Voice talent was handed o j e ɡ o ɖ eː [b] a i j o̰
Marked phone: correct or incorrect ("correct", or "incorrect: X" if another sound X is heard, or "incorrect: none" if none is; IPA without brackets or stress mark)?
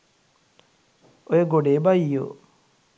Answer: correct